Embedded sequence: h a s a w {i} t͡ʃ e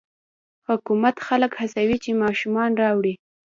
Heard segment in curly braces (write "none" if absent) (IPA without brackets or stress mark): i